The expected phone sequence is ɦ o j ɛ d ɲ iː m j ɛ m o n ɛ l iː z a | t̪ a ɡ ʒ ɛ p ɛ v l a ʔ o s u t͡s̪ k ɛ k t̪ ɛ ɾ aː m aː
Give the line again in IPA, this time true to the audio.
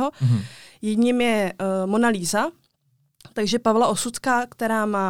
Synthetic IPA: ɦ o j ɛ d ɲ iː m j ɛ m o n a l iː z a | t̪ a ɡ ʒ ɛ p a v l a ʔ o s u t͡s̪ k a k t̪ ɛ ɾ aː m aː